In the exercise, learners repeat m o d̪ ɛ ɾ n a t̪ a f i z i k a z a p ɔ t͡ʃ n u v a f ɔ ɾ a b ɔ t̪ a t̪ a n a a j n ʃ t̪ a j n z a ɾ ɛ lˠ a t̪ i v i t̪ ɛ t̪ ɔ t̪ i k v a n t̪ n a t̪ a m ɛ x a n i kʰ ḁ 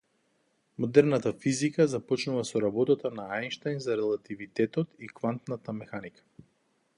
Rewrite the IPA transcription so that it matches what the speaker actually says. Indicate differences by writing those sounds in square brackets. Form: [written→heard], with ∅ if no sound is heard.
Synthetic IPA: m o d̪ ɛ ɾ n a t̪ a f i z i k a z a p ɔ t͡ʃ n u v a [f→s] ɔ ɾ a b ɔ t̪ a t̪ a n a a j n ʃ t̪ a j n z a ɾ ɛ lˠ a t̪ i v i t̪ ɛ t̪ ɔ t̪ i k v a n t̪ n a t̪ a m ɛ x a n i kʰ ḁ